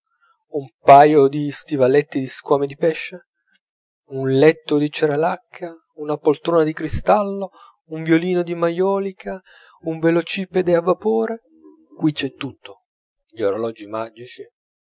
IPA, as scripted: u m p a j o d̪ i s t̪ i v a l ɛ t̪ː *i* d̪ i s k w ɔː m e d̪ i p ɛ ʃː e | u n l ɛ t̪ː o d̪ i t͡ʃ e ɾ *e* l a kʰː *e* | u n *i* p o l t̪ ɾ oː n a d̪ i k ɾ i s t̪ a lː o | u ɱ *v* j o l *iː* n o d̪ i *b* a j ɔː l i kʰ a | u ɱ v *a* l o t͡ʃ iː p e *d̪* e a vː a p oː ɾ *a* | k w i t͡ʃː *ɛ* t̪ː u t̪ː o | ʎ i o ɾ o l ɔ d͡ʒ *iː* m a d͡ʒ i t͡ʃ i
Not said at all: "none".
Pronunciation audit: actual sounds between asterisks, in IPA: i, a, a, a, v, iː, m, e, d̪, e, ɛ, i

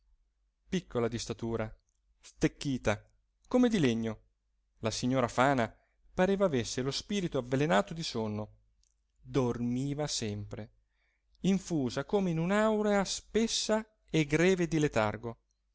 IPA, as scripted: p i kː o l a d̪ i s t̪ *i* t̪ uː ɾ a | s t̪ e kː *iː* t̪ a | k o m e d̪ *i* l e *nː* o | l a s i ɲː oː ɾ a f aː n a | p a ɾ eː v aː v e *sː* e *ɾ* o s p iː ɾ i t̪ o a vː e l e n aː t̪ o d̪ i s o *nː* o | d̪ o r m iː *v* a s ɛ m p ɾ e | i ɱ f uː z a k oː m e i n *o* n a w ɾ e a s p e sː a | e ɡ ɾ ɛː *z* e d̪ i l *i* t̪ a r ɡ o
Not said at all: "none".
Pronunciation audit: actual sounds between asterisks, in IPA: a, iː, i, ɲː, sː, l, nː, v, u, v, e

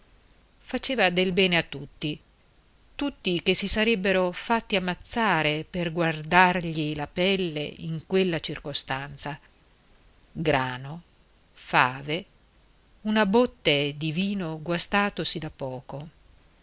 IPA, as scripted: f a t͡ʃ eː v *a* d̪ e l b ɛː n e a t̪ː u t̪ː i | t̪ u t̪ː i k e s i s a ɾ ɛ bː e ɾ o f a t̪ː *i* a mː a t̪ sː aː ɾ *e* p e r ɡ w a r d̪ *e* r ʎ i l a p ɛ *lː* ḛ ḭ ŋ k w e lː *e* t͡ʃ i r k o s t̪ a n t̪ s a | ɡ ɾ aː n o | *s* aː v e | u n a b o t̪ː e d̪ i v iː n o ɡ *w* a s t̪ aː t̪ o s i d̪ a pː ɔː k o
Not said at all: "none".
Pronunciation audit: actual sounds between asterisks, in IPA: a, i, e, a, lː, a, f, w

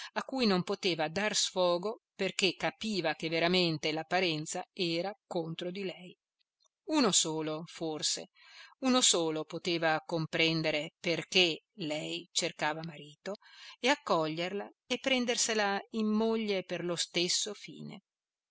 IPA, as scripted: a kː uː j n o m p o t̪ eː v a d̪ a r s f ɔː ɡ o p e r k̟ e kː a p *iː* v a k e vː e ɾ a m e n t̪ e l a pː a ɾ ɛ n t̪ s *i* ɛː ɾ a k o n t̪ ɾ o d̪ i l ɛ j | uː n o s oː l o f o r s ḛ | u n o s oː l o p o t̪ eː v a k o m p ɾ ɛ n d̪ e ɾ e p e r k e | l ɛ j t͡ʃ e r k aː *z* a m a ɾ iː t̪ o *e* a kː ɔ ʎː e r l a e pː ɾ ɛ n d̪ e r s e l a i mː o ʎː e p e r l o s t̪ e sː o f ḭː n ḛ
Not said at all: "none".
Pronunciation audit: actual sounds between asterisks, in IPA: iː, a, v, e

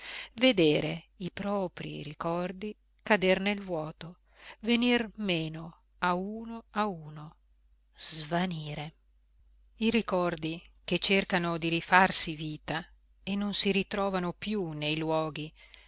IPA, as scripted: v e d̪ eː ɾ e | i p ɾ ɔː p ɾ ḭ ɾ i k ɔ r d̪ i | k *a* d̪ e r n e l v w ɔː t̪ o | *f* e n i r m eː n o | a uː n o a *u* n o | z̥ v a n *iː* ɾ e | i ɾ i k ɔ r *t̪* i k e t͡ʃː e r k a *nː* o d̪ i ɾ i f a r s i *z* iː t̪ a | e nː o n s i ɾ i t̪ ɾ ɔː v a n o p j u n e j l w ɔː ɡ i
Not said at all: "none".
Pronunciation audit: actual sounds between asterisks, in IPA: a, v, uː, iː, d̪, n, v

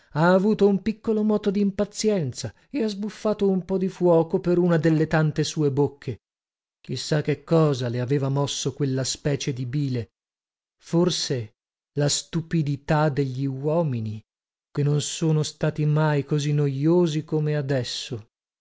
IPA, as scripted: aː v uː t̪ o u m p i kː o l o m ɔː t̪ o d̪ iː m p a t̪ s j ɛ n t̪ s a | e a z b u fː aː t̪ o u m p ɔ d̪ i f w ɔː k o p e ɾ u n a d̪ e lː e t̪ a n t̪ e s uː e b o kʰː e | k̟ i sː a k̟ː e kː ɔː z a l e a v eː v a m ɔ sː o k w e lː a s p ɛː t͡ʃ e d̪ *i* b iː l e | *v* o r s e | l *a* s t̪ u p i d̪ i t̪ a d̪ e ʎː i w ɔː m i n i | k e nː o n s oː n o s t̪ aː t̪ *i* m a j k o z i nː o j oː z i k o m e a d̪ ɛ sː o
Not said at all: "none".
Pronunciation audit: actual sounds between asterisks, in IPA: i, f, a, i

